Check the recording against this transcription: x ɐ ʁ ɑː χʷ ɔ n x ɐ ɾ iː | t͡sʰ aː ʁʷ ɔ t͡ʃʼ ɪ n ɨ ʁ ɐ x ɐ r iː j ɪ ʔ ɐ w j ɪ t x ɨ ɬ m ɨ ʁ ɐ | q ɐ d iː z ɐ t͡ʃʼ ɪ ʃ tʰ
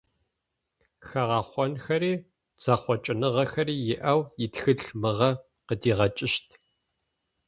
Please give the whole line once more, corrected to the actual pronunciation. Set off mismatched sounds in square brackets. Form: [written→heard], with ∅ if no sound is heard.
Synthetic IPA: x ɐ ʁ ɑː χʷ ɔ n x ɐ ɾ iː | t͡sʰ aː [ʁʷ→χʷ] ɔ t͡ʃʼ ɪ n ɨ ʁ ɐ x ɐ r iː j ɪ ʔ ɐ w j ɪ t x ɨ ɬ m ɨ ʁ ɐ | q [ɐ→ə] d iː [z→ʁ] ɐ t͡ʃʼ ɪ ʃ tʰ